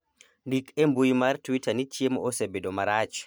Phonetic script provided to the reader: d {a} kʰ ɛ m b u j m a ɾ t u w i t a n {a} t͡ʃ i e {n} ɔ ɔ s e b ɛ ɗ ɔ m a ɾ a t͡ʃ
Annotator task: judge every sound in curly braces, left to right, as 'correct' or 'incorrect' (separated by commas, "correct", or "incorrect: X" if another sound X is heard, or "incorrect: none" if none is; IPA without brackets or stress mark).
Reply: incorrect: i, incorrect: i, incorrect: m